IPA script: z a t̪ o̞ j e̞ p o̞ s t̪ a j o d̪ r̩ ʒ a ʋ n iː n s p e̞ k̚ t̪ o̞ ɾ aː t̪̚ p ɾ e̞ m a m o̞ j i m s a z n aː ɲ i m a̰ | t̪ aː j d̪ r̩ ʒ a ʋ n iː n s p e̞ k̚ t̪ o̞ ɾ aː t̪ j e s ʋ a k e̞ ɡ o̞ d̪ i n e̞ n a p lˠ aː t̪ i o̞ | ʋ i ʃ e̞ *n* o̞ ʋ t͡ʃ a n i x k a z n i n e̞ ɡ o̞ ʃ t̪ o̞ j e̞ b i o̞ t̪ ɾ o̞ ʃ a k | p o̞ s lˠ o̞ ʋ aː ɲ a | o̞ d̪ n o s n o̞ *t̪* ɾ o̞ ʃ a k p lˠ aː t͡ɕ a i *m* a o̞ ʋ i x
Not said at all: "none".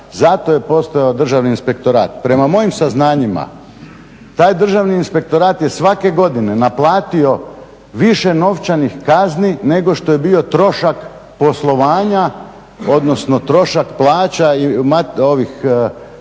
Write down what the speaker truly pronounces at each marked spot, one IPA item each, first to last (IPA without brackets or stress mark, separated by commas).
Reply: n, t̪, m